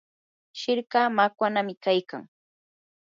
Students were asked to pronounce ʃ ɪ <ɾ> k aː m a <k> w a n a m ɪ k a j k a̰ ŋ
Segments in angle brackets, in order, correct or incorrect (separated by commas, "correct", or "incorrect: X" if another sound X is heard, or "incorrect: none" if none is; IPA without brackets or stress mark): correct, correct